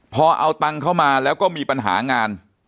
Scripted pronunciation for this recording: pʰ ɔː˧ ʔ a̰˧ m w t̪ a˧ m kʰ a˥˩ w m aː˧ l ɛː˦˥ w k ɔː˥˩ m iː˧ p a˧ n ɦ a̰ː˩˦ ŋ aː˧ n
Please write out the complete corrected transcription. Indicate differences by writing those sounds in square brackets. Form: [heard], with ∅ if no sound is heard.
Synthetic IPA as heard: pʰ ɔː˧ ʔ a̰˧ [∅] w t̪ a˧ [ŋ] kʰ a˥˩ w m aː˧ l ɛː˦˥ w k ɔː˥˩ m iː˧ p a˧ n ɦ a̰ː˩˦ ŋ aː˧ n